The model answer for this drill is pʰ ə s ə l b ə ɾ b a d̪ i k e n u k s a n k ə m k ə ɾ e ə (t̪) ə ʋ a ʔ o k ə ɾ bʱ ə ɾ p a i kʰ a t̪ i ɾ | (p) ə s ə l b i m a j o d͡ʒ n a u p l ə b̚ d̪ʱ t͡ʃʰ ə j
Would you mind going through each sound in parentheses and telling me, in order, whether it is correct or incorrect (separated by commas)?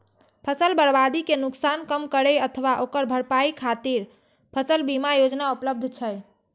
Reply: incorrect, incorrect